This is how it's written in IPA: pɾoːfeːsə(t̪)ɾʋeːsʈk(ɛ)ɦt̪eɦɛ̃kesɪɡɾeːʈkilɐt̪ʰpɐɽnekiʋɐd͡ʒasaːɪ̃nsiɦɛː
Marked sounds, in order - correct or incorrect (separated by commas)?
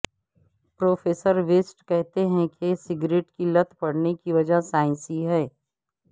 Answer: incorrect, correct